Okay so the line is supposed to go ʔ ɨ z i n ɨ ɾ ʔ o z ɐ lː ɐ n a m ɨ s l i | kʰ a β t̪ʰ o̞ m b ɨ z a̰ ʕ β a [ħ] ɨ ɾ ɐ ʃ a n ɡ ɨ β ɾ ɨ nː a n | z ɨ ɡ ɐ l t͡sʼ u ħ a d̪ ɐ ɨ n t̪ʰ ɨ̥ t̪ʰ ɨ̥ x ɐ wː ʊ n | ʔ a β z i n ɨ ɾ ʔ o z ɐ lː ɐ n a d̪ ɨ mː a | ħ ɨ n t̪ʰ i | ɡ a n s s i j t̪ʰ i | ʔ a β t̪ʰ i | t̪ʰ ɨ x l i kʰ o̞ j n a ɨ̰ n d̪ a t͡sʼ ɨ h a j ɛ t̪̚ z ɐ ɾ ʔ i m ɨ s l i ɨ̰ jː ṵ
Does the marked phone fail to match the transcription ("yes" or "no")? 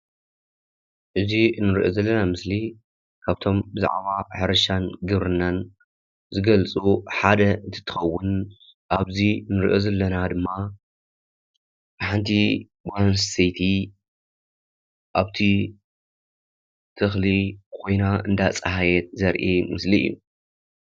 no